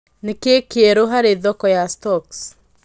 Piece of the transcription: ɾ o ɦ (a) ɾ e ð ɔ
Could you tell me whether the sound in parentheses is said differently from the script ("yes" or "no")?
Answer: no